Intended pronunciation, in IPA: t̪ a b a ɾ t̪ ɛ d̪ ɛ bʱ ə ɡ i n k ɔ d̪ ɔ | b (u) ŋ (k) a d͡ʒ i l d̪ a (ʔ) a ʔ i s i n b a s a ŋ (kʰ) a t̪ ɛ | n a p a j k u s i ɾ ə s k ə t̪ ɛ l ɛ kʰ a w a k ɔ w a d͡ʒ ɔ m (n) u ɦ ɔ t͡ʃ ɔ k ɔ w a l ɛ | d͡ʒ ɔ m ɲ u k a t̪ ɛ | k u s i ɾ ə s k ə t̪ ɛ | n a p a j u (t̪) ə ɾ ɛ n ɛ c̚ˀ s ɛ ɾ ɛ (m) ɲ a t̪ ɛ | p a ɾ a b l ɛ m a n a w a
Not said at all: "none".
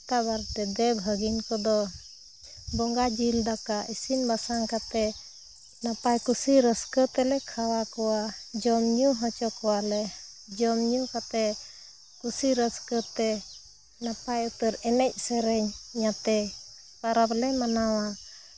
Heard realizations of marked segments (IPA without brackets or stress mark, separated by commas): ɔ, ɡ, k, k, ɲ, t̪, ɲ